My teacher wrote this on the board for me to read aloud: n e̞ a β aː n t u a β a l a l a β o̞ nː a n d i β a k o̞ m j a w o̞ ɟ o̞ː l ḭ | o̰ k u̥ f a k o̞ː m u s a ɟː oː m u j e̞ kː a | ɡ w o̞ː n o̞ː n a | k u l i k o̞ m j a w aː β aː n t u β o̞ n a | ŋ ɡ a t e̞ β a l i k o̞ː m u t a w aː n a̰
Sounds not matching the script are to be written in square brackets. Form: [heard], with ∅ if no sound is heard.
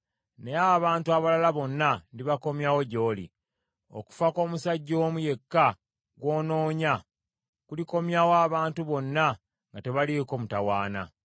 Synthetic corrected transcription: n e̞ a β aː n t u a β a l a l a β o̞ nː a n d i β a k o̞ m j a w o̞ ɟ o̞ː l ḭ | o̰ k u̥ f a k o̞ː m u s a ɟː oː m u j e̞ kː a | ɡ w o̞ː n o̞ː [ɲ] a | k u l i k o̞ m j a w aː β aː n t u β o̞ [nː] a | ŋ ɡ a t e̞ β a l i k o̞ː m u t a w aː n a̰